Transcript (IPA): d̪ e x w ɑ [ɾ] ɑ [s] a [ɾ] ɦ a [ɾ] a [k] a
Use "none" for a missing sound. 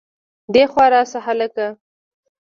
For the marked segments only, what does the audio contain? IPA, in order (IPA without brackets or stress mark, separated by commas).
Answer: ɾ, s, none, l, k